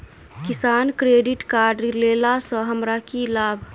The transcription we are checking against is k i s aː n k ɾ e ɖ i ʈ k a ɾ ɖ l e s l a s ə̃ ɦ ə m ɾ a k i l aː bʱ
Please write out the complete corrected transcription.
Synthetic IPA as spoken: k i s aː n k ɾ e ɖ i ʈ k a ɾ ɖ l e l a s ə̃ ɦ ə m ɾ a k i l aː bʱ